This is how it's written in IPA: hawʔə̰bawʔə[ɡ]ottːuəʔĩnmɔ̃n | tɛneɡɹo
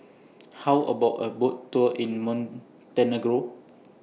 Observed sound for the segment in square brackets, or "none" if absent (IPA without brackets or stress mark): b